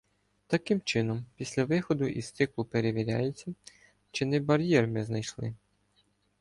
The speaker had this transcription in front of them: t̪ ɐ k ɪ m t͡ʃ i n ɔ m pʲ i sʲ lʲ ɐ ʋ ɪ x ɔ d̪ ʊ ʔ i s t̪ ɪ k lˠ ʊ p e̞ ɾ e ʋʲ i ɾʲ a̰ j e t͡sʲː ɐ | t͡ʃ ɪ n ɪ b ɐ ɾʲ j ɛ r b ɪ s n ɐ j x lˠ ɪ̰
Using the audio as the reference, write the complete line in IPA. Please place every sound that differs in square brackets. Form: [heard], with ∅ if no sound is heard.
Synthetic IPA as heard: t̪ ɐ k ɪ m t͡ʃ [ɪ] n ɔ m pʲ i sʲ lʲ ɐ ʋ ɪ x ɔ d̪ ʊ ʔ i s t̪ ɪ k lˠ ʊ p e̞ ɾ e ʋʲ i ɾʲ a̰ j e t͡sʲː ɐ | t͡ʃ ɪ n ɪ b ɐ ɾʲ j ɛ r [m] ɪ [z] n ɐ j [ʃ] lˠ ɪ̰